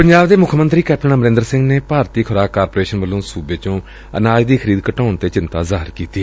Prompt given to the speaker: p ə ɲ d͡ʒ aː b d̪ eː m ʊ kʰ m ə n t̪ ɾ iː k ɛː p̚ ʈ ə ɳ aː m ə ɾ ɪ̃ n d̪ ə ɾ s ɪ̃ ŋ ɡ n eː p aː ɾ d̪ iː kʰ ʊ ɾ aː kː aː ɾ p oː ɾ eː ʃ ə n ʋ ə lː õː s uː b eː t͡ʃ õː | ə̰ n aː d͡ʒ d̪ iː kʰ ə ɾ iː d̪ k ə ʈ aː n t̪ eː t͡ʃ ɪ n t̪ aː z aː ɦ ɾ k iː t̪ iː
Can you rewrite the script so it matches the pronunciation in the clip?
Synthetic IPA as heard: p ə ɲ d͡ʒ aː b d̪ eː m ʊ kʰ m ə n t̪ ɾ iː k ɛː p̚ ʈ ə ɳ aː m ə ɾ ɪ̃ n d̪ ə ɾ s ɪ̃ ŋ ɡ n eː p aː ɾ t̪ iː kʰ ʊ ɾ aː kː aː ɾ p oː ɾ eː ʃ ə n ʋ ə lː õː s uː b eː t͡ʃ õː | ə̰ n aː d͡ʒ d̪ iː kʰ ə ɾ iː d̪ k ə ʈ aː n t̪ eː t͡ʃ ɪ n t̪ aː z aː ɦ ɾ k iː t̪ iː